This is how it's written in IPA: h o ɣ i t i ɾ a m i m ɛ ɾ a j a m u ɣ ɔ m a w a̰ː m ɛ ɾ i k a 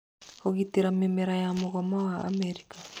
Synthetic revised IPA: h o ɣ i t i ɾ a m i m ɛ ɾ a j a m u ɣ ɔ m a w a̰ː m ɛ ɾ i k a